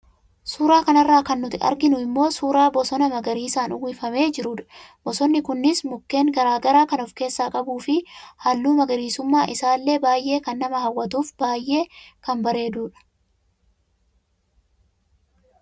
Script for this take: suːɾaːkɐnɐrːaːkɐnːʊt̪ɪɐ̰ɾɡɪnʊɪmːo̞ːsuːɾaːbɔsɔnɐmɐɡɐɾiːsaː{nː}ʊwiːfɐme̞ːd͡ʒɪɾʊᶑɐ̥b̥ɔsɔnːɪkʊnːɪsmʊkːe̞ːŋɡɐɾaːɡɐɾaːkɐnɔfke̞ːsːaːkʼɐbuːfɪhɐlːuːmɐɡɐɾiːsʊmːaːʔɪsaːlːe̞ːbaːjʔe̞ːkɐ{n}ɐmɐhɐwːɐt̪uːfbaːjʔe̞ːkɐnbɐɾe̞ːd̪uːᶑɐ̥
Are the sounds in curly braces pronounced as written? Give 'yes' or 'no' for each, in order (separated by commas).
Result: no, no